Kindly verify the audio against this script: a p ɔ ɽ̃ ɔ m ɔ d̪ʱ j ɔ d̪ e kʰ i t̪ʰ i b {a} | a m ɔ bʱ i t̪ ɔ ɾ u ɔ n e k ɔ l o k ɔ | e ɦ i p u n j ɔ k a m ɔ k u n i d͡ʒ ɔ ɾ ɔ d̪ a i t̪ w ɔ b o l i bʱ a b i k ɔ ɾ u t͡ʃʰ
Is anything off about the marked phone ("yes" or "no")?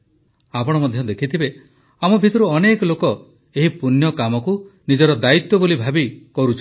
yes